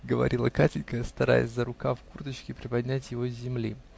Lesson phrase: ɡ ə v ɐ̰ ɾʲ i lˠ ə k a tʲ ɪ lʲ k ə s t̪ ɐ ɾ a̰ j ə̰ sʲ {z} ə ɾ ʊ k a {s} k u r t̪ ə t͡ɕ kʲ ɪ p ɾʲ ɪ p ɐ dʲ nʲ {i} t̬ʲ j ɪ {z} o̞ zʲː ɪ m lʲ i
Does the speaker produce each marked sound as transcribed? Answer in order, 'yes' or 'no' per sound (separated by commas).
yes, no, no, no